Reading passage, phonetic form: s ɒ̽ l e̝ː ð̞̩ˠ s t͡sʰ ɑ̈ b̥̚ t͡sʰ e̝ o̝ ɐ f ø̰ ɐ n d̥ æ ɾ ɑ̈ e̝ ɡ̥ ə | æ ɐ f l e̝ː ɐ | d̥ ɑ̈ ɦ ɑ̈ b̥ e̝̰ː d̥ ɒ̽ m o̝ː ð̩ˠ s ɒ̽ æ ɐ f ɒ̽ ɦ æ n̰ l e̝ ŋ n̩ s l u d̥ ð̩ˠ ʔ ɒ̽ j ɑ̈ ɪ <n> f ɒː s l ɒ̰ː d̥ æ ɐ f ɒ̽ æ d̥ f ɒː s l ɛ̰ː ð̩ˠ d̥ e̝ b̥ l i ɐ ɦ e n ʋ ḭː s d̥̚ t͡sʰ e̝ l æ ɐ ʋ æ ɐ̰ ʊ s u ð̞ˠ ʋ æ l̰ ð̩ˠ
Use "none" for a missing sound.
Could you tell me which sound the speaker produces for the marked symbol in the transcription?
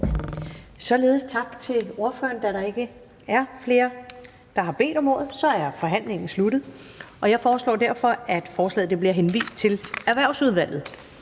none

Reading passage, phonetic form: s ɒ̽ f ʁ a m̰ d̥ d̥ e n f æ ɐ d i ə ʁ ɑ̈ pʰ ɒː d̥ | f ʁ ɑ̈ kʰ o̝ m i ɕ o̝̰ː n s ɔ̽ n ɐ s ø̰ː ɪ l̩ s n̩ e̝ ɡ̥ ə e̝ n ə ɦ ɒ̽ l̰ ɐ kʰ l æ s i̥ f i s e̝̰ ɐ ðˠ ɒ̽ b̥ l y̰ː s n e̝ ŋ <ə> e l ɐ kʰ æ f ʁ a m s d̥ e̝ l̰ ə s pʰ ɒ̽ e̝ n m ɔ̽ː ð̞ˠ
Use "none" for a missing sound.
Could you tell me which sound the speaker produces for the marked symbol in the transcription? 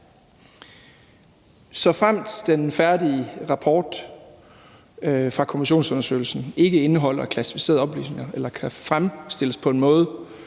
ɐ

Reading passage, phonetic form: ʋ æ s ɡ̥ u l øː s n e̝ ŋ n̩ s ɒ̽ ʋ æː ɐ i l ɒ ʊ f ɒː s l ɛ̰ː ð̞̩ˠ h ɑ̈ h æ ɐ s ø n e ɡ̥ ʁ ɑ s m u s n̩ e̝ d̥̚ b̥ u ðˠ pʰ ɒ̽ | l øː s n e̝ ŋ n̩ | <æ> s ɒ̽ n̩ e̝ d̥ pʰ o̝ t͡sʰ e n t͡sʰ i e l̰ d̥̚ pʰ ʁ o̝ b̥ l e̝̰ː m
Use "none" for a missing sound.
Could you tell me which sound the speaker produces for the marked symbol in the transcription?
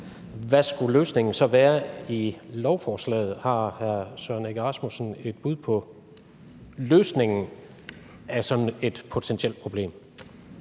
æ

